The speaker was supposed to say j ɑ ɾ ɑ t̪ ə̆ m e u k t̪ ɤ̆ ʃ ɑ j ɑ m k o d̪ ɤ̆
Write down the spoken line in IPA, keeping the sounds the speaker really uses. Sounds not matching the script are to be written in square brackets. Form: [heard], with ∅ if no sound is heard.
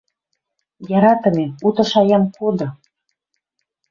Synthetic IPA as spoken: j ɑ ɾ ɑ t̪ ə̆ m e u [∅] t̪ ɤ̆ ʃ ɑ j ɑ m k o d̪ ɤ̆